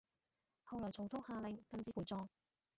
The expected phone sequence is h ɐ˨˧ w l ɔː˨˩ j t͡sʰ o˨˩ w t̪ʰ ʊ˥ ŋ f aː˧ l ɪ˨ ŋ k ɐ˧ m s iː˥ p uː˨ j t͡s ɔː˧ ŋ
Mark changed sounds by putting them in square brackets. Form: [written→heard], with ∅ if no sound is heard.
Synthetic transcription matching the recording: h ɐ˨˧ w l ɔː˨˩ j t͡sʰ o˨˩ w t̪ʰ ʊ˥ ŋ [f→h] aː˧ l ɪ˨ ŋ k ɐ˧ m [s→t͡s] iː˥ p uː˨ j t͡s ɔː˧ ŋ